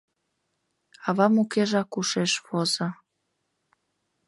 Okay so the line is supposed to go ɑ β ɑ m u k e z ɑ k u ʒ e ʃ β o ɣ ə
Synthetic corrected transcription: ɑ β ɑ m u k e ʒ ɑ k u ʃ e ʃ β o z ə